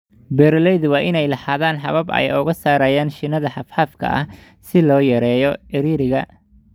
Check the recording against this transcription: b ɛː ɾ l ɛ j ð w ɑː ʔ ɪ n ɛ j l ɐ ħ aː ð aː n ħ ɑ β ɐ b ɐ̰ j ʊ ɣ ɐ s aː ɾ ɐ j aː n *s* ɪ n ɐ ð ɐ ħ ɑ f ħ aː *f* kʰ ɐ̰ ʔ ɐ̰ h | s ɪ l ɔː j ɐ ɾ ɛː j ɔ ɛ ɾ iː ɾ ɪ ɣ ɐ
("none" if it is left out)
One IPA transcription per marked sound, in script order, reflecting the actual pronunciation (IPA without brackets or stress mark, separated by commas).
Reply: ʃ, f